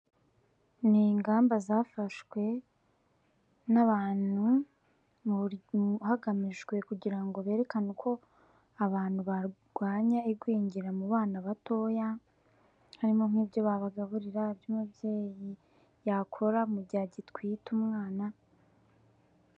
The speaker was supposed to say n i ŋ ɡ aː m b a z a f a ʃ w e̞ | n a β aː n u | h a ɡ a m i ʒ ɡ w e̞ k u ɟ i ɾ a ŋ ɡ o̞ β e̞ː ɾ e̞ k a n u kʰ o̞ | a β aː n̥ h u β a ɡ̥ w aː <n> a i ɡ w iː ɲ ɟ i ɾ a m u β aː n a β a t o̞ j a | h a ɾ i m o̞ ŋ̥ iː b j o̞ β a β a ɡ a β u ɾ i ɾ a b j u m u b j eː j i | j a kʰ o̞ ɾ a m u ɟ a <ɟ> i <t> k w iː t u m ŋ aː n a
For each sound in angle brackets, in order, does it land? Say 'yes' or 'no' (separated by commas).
no, yes, yes